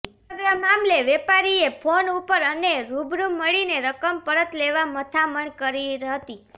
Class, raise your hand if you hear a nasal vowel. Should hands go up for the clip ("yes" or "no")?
no